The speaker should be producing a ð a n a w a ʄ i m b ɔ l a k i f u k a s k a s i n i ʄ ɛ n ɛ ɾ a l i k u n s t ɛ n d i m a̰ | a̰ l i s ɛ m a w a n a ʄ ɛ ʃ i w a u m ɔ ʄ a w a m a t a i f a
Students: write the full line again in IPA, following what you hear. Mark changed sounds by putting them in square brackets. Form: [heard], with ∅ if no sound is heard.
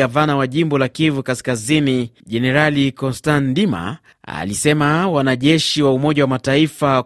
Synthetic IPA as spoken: a [v] a n a w a ʄ i m b ɔ l a k i [v] u k a s k a [z] i n i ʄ ɛ n ɛ ɾ a l i k [ɔ] n s t [a] n d i m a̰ | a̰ l i s ɛ m a w a n a ʄ ɛ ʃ i w a u m ɔ ʄ a w a m a t a i f a